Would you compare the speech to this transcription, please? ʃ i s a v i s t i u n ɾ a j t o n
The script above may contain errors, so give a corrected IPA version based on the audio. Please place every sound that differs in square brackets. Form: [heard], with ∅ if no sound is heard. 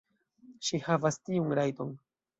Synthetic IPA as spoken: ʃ i [h] a v [a] s t i u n ɾ a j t o n